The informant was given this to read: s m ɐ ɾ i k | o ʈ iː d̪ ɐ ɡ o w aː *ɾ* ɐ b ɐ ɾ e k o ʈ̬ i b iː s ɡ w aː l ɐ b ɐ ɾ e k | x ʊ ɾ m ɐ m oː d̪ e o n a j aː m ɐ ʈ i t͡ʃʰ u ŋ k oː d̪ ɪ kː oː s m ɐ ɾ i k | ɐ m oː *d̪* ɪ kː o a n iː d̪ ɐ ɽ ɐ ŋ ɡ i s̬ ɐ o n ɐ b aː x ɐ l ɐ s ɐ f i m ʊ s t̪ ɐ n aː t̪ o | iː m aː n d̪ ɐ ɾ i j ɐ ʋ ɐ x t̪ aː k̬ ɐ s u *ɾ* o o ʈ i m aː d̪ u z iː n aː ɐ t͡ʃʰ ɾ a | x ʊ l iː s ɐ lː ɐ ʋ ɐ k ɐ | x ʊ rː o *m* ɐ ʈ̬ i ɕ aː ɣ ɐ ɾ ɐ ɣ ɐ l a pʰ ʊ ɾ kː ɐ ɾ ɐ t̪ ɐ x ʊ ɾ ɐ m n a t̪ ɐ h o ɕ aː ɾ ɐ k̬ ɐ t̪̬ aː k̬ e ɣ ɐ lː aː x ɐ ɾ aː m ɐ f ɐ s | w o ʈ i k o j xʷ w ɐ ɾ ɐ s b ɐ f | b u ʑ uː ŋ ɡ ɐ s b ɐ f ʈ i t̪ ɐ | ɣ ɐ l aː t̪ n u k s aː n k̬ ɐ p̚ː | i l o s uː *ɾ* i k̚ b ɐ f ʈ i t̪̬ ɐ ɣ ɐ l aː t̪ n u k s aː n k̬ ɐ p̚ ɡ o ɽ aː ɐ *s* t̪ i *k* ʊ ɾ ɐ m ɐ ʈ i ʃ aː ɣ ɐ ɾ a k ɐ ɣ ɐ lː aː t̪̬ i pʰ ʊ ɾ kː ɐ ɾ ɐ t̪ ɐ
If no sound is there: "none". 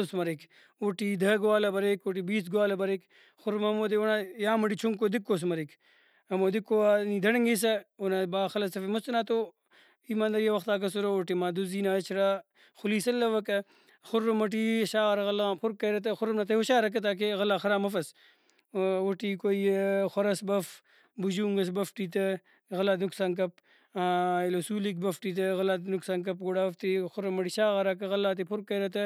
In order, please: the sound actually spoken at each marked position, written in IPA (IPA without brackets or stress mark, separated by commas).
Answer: l, d̪, ɾ, m, l, f, x